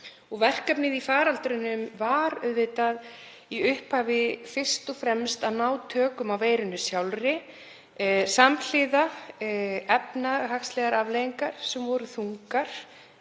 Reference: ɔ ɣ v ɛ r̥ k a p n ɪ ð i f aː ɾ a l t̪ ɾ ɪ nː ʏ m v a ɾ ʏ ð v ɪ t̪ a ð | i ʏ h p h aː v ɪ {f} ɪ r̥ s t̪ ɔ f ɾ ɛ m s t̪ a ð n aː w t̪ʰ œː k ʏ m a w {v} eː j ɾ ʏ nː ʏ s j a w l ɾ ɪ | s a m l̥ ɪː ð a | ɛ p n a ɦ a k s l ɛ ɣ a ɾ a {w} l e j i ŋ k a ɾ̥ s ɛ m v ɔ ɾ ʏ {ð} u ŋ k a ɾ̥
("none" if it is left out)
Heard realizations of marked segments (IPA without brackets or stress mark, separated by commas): f, v, v, θ